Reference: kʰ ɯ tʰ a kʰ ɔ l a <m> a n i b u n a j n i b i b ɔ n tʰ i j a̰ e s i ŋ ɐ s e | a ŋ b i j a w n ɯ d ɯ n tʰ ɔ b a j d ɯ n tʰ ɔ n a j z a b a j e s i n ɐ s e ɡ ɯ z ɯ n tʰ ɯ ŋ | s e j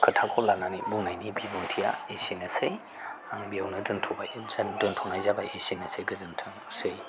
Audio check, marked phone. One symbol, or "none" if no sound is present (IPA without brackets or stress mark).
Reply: n